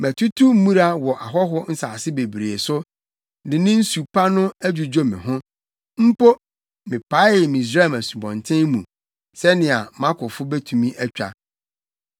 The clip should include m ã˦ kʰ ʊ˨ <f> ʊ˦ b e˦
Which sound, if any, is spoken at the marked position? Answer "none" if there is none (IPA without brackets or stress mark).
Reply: f